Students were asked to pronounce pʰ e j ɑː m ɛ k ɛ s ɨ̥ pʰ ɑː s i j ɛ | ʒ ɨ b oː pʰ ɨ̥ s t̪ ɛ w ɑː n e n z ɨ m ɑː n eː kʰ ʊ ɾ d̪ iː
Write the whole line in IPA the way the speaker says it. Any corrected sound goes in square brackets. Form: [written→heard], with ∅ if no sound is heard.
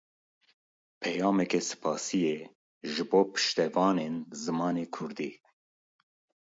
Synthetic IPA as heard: pʰ [e→ɛ] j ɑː m ɛ k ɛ s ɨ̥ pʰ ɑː s i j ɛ | ʒ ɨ b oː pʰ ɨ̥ [s→ʃ] t̪ ɛ [w→v] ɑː n e n z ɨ m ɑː n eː kʰ ʊ ɾ d̪ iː